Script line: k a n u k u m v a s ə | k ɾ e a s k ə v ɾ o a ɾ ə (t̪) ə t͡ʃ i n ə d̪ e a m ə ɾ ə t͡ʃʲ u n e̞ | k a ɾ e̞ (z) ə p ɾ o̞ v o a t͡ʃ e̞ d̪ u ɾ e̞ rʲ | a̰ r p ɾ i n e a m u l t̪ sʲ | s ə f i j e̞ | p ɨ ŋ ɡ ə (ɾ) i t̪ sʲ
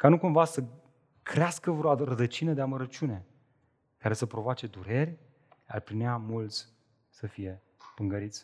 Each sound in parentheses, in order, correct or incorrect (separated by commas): incorrect, incorrect, correct